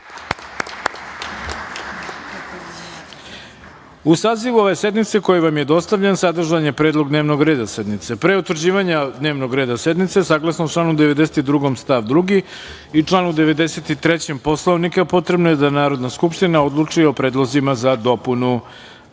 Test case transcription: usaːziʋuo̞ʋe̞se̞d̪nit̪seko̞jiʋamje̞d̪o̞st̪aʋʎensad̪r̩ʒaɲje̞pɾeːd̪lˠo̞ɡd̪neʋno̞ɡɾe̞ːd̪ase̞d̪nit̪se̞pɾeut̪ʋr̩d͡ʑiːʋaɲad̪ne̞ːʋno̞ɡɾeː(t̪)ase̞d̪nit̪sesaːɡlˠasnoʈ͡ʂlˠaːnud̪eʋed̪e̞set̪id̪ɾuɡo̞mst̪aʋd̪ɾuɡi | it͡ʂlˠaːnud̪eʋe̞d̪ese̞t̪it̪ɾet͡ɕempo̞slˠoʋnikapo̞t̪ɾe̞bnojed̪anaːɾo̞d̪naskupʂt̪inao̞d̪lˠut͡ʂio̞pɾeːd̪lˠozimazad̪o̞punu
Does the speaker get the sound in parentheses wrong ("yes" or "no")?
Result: yes